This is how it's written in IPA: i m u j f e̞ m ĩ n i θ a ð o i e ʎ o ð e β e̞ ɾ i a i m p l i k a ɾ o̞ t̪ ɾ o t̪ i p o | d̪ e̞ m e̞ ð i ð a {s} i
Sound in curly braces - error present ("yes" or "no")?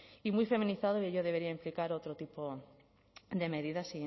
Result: no